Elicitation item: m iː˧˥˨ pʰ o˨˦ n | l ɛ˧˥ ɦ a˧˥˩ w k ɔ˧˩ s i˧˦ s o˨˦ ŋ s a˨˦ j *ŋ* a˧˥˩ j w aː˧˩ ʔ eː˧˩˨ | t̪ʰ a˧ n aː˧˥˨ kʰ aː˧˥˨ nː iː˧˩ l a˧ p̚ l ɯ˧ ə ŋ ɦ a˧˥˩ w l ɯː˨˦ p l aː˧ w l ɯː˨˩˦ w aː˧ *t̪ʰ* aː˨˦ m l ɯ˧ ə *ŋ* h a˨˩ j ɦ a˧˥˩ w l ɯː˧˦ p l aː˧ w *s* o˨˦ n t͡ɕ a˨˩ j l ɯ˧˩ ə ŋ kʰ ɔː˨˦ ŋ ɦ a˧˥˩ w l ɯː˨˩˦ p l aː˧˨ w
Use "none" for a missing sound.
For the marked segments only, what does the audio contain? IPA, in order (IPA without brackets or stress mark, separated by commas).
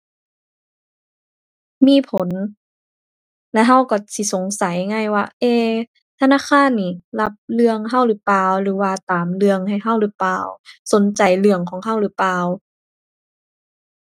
ŋ, t̪, ŋ, s